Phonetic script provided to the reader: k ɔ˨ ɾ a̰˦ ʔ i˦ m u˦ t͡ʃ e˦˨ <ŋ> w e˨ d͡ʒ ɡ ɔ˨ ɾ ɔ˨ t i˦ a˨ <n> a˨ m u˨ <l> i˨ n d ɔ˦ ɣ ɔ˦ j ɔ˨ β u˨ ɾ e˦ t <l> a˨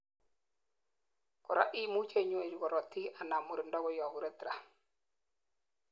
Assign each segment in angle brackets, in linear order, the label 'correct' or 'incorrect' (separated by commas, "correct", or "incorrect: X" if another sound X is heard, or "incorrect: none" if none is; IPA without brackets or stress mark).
incorrect: ɲ, correct, incorrect: ɾ, incorrect: ɾ